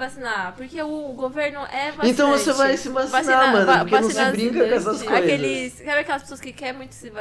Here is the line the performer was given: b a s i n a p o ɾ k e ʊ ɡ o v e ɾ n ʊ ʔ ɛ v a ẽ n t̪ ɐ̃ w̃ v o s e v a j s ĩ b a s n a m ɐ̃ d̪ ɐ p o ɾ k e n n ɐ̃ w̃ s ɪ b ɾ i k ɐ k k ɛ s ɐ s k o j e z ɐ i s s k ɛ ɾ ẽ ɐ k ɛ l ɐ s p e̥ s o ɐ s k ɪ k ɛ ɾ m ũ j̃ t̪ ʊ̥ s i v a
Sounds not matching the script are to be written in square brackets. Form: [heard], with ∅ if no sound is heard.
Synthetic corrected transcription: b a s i n a p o ɾ k e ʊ ɡ o v e ɾ n ʊ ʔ ɛ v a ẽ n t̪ ɐ̃ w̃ v o s e v a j s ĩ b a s n a m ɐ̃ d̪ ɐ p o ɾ k e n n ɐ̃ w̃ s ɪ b ɾ [ĩ] k ɐ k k ɛ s ɐ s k o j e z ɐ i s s k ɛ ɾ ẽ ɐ k ɛ l ɐ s p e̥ s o ɐ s k ɪ k ɛ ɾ m ũ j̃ t̪ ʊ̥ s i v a